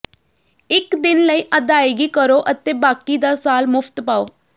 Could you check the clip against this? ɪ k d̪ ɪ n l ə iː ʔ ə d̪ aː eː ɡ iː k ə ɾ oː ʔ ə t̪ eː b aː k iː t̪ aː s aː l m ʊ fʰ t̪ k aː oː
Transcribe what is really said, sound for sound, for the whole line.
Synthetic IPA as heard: ɪ k d̪ ɪ n l ə iː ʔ ə d̪ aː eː ɡ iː k ə ɾ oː ʔ ə t̪ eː b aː k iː d̪ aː s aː l m ʊ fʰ t̪ p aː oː